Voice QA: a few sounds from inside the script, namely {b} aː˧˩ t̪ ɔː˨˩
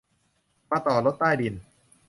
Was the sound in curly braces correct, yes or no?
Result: no